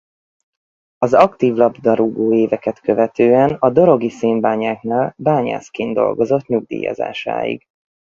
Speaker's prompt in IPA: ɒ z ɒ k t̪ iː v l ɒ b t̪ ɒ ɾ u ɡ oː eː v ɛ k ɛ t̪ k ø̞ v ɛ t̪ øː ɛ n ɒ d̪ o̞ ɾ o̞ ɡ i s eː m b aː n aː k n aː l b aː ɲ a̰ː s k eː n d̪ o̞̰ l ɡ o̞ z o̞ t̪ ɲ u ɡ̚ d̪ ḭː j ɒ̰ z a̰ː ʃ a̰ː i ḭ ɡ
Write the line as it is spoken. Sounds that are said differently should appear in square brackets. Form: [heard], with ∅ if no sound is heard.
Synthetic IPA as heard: ɒ z ɒ k t̪ iː v l ɒ b [d̪] ɒ ɾ u ɡ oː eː v ɛ k ɛ t̪ k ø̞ v ɛ t̪ øː ɛ n ɒ d̪ o̞ ɾ o̞ ɡ i s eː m b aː [ɲ] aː k n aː l b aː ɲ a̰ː s k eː n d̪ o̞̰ l ɡ o̞ z o̞ t̪ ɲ u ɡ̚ d̪ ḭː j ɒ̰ z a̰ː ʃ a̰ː [j] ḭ ɡ